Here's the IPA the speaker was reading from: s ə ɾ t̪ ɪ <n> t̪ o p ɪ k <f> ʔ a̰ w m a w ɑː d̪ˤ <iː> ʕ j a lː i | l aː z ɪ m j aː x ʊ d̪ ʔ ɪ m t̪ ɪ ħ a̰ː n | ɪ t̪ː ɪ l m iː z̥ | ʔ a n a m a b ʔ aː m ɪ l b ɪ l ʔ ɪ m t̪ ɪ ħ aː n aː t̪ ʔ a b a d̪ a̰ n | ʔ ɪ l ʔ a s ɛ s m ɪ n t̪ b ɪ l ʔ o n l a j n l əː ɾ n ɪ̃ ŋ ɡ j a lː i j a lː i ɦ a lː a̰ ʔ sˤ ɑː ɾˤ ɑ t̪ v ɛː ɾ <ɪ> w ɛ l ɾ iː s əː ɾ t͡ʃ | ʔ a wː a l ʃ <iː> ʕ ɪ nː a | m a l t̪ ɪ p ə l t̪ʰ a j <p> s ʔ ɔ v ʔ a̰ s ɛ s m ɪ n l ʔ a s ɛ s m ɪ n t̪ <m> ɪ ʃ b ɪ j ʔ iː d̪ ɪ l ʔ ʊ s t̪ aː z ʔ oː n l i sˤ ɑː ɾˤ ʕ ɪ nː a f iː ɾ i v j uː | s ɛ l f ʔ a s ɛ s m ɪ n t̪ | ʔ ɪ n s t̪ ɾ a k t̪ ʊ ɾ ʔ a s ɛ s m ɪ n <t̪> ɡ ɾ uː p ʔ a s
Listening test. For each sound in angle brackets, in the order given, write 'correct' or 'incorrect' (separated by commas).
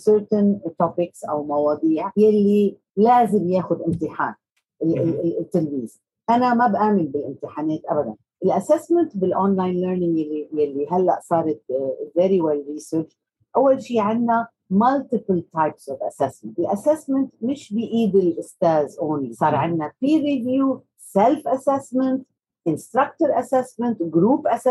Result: correct, incorrect, correct, incorrect, correct, correct, correct, correct